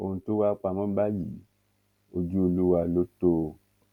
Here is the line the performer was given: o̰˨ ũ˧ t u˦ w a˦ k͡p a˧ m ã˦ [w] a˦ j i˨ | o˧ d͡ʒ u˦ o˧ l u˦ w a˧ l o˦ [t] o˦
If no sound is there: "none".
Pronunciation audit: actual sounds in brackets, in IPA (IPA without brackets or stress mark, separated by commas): b, t